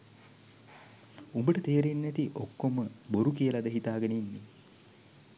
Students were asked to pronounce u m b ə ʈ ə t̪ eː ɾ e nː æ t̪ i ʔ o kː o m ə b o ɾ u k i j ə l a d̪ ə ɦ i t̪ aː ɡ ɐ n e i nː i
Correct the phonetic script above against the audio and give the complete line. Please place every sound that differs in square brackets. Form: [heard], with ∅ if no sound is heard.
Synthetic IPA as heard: u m b ə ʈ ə t̪ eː ɾ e nː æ t̪ i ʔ o kː o m ə b o ɾ u k i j ə l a d̪ ə ɦ i t̪ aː ɡ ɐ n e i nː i